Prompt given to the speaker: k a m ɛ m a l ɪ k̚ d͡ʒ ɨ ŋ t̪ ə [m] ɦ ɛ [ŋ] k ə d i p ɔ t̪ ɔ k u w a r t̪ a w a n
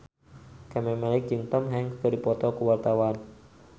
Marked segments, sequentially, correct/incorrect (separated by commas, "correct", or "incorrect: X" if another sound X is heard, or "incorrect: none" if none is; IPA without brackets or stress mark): correct, correct